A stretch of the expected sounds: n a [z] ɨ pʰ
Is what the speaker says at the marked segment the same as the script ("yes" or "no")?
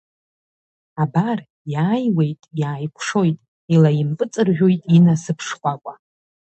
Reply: no